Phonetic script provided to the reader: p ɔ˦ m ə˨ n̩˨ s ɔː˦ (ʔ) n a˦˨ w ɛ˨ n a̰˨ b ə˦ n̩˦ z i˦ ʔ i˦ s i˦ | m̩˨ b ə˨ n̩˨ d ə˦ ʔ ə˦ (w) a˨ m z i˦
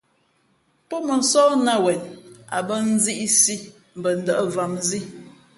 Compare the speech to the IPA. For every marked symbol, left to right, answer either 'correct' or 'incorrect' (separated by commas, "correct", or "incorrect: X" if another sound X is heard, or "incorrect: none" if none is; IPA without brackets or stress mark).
incorrect: none, incorrect: v